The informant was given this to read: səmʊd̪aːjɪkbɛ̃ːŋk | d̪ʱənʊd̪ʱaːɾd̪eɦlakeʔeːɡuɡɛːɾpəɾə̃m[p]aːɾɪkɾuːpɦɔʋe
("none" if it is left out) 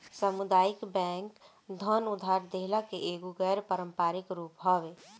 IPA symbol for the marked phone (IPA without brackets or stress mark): p